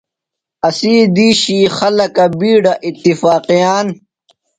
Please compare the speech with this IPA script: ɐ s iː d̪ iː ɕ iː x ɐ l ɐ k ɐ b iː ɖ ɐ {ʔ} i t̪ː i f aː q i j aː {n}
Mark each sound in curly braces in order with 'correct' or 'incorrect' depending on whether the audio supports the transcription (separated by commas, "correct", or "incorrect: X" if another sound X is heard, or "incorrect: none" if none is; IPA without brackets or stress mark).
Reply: correct, correct